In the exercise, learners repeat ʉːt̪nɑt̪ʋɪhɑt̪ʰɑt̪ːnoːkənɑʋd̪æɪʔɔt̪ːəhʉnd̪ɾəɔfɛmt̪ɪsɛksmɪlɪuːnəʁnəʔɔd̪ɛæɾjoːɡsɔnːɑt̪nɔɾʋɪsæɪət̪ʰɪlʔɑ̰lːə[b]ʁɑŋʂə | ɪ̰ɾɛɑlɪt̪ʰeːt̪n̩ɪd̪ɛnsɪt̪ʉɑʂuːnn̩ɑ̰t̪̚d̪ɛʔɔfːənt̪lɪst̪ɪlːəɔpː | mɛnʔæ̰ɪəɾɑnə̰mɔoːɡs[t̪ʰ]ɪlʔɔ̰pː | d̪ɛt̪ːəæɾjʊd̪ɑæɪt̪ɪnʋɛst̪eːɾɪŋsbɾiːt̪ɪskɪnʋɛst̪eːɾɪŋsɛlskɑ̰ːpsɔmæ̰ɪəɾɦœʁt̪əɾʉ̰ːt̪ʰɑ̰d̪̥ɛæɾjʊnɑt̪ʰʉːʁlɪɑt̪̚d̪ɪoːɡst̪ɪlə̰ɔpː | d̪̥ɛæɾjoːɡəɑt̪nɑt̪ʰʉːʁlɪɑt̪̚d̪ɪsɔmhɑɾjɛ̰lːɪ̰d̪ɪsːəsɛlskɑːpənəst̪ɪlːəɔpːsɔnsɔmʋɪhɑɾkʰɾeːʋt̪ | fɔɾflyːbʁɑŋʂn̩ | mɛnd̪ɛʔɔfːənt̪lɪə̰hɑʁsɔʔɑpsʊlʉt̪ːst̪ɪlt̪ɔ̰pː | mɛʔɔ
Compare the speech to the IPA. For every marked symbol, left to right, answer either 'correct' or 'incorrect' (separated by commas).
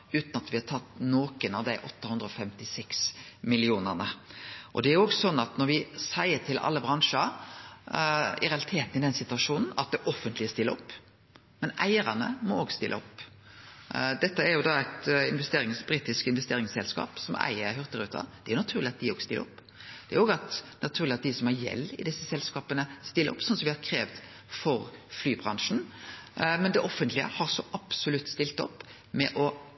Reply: correct, incorrect